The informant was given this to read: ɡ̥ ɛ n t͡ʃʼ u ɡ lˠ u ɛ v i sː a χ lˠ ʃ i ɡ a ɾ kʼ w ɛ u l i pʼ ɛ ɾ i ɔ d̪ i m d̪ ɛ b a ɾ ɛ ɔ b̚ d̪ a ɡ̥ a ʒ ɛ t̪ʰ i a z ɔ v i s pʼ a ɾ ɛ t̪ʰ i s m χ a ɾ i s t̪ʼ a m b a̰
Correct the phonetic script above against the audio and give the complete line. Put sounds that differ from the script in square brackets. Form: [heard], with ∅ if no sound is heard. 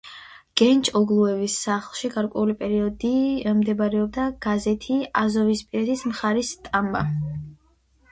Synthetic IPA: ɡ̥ ɛ n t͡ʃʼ [ɔ] ɡ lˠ u ɛ v i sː a χ lˠ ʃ i ɡ a ɾ kʼ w ɛ u l i pʼ ɛ ɾ i ɔ d̪ i m d̪ ɛ b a ɾ ɛ ɔ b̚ d̪ a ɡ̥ a [z] ɛ t̪ʰ i a z ɔ v i s pʼ [i] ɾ ɛ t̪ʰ i s m χ a ɾ i s t̪ʼ a m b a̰